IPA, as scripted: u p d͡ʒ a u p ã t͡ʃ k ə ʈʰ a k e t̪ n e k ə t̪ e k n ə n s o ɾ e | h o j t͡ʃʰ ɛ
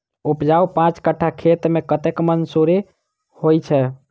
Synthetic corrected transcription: u p d͡ʒ a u p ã t͡ʃ k ə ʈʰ a kʰ e t̪ m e k ə t̪ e k m ə n s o ɾ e | h o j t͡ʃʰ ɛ